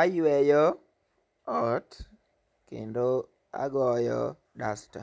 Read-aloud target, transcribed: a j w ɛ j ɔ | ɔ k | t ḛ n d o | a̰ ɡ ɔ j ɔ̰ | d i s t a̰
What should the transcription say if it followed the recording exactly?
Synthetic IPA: a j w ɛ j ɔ | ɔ t | k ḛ n d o | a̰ ɡ ɔ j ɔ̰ | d a s t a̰